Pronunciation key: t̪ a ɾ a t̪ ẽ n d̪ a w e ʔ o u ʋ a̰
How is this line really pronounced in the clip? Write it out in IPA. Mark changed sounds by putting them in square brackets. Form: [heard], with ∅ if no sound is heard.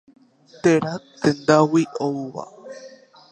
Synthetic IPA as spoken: t̪ [e] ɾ a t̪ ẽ n d̪ a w [i] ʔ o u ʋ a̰